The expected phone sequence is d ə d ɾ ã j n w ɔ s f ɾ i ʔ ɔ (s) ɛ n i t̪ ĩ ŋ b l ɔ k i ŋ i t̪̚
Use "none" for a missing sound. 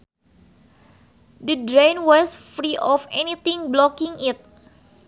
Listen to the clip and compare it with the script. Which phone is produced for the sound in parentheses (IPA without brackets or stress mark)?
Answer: f